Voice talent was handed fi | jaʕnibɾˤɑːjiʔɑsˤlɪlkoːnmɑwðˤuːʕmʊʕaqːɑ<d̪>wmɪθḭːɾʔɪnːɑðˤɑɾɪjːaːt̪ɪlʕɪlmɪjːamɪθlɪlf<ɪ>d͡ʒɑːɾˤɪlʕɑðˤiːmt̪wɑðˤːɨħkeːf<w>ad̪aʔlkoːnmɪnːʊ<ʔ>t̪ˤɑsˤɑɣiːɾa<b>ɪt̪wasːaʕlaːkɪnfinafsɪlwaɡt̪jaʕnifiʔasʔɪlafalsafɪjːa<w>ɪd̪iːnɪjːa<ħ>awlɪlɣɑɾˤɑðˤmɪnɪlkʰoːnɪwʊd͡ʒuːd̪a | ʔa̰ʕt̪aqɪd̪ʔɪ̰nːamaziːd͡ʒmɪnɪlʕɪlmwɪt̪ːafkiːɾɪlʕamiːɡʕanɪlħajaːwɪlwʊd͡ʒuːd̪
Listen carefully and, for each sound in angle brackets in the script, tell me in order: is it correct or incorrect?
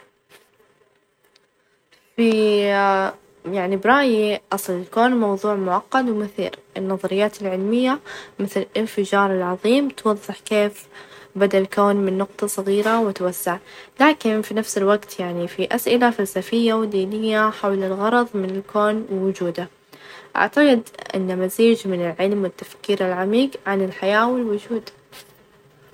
correct, correct, incorrect, incorrect, incorrect, correct, correct

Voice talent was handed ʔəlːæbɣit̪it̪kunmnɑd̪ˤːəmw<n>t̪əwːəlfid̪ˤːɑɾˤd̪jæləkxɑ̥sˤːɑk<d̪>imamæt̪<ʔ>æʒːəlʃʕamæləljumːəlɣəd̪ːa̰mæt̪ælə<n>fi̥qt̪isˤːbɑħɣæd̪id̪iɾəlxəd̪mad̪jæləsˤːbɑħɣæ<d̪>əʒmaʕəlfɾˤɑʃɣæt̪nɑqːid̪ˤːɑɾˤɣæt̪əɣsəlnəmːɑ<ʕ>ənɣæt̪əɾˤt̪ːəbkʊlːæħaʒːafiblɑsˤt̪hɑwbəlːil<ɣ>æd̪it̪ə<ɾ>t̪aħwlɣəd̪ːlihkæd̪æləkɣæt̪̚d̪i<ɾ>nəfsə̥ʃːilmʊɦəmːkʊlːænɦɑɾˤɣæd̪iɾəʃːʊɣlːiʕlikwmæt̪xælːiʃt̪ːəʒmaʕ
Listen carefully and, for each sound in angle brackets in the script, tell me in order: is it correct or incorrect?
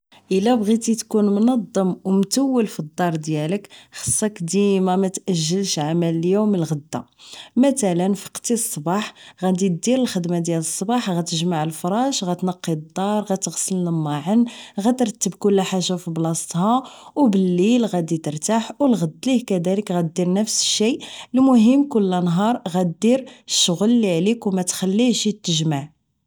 incorrect, correct, correct, correct, incorrect, correct, correct, correct, correct

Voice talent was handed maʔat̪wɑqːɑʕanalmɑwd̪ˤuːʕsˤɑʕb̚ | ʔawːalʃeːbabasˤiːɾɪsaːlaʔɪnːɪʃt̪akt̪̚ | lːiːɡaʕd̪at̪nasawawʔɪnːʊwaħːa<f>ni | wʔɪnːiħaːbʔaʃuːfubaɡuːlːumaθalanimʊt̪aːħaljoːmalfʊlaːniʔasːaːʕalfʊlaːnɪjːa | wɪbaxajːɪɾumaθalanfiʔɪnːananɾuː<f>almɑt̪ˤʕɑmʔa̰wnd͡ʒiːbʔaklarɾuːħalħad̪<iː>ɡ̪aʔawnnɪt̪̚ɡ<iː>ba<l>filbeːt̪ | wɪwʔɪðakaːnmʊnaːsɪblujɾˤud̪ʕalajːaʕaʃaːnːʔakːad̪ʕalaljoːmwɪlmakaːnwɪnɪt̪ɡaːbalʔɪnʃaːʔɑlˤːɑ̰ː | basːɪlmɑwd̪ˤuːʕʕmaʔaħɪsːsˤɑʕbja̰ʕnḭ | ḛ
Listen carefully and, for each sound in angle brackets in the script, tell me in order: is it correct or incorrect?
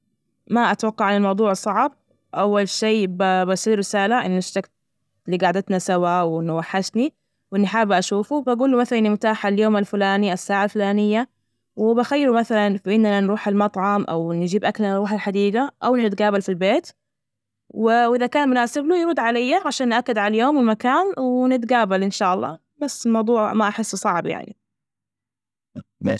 incorrect, incorrect, correct, incorrect, correct

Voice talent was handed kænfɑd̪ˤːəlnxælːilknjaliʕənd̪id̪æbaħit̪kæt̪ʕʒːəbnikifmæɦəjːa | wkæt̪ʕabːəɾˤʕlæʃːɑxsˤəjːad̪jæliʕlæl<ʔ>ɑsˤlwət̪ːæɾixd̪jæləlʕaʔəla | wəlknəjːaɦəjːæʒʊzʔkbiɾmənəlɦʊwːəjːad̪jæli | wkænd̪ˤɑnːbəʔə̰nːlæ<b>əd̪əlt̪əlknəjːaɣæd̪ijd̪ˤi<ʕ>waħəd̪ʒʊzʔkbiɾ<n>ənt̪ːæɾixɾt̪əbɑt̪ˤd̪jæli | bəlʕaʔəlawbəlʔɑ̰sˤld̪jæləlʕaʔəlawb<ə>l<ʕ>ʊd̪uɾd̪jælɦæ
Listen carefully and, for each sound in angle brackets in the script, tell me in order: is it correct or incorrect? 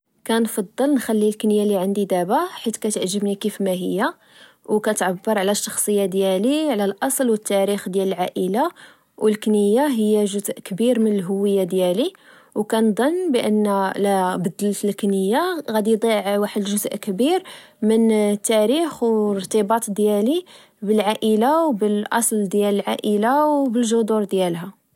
correct, correct, correct, incorrect, correct, incorrect

